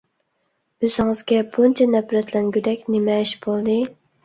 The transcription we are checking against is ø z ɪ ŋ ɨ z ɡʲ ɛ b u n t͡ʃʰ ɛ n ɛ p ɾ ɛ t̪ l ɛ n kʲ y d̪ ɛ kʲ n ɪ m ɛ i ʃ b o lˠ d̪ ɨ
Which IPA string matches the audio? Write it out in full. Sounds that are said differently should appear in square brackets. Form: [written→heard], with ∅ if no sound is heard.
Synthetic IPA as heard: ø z ɪ ŋ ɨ z ɡʲ ɛ b u n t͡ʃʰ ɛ n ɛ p ɾ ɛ t̪ l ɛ n [kʲ→ɡʲ] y d̪ ɛ kʲ n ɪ m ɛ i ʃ b o lˠ d̪ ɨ